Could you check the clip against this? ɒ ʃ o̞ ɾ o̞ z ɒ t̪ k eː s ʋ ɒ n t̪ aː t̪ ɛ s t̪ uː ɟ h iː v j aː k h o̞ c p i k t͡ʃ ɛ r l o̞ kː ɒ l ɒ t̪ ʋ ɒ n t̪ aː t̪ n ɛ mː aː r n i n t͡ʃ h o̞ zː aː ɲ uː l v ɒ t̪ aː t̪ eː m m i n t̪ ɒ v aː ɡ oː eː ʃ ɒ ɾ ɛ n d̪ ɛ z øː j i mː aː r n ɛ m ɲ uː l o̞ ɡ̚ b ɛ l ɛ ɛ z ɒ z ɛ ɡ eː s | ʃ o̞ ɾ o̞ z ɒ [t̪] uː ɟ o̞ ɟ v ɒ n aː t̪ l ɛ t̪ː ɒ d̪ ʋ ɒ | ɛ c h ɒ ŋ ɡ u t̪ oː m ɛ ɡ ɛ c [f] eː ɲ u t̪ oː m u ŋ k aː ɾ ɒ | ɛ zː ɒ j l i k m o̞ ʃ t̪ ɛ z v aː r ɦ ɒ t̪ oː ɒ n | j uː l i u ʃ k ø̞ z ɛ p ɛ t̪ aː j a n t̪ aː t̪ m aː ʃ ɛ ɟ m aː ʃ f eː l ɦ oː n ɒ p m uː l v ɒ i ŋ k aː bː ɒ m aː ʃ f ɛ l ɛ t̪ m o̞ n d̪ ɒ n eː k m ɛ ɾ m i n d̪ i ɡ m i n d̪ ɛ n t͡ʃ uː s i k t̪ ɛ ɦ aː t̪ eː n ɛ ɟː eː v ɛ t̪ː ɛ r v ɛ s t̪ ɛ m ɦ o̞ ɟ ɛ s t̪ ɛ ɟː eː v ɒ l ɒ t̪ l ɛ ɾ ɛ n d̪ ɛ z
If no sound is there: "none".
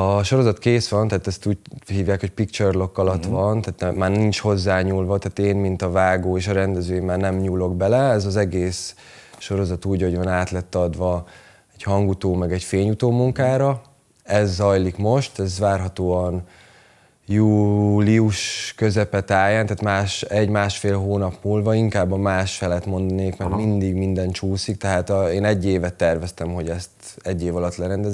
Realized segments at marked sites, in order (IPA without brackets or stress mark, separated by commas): t̪, f